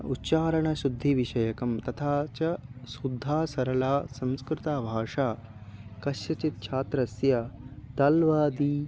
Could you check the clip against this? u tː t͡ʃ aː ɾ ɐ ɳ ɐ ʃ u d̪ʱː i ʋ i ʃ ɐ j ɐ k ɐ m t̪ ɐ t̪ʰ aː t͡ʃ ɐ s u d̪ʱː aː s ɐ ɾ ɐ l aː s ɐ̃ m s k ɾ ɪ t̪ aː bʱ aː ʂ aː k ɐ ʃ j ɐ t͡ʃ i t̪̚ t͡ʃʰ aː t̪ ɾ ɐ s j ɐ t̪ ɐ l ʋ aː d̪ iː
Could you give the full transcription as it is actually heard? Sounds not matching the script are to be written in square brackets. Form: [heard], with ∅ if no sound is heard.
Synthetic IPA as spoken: u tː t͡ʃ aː ɾ ɐ ɳ ɐ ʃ u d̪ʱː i ʋ i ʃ ɐ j ɐ k ɐ m t̪ ɐ t̪ʰ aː t͡ʃ ɐ s u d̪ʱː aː s ɐ ɾ ɐ l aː s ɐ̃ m s k ɾ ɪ t̪ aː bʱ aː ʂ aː k ɐ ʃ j ɐ t͡ʃ i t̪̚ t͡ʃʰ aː t̪ ɾ ɐ s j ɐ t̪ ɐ l ʋ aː d̪ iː